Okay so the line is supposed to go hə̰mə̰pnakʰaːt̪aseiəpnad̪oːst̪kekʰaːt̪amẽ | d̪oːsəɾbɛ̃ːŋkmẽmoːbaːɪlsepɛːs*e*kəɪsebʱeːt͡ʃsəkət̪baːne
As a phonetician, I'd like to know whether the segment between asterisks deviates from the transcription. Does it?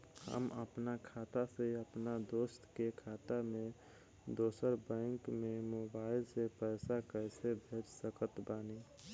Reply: yes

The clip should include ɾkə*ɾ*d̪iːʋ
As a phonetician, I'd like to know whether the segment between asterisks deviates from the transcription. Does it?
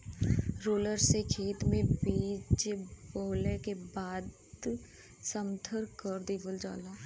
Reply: no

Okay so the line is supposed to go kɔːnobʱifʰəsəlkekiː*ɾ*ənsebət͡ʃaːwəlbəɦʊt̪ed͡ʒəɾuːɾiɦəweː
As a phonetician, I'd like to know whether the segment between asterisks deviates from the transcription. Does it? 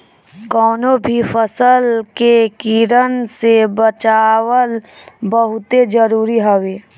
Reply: no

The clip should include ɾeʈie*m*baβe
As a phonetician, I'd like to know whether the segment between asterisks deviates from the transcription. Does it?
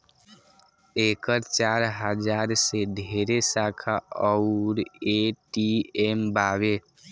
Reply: no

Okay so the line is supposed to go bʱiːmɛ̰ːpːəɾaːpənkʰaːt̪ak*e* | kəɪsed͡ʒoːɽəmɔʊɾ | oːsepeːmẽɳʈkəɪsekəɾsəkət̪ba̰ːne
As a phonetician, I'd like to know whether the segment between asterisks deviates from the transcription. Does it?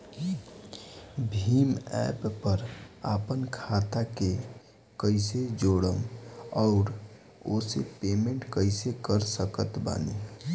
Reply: no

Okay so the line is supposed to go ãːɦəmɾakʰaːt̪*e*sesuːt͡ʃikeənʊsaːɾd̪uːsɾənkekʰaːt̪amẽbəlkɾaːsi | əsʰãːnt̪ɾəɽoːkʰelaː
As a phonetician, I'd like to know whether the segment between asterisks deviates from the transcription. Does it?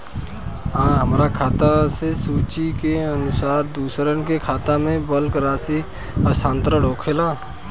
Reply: yes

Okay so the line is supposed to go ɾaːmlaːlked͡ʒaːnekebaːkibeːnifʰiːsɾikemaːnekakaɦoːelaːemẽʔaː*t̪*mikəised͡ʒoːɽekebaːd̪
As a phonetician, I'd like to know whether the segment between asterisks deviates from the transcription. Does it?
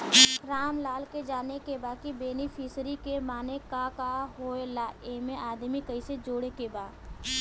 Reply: yes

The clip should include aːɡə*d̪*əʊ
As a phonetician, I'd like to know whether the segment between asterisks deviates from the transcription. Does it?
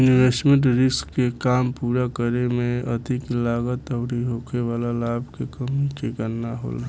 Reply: yes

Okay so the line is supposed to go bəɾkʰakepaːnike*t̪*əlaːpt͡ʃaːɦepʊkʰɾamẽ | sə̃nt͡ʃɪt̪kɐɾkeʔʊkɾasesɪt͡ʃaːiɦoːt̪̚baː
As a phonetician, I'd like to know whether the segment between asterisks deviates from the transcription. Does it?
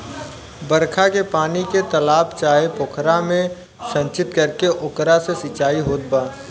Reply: no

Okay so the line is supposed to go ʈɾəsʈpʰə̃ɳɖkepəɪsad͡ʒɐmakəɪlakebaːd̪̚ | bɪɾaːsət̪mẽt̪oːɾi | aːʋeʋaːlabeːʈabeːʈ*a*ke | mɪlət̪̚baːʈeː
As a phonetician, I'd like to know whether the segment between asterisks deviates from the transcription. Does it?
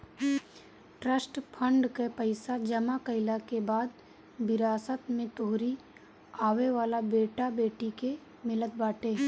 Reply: yes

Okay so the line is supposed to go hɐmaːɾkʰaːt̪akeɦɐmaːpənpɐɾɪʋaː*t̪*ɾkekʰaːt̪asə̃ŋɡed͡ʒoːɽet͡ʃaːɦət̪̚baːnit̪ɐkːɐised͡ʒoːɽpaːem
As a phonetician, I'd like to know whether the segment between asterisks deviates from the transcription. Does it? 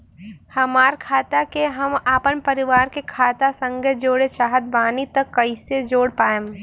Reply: yes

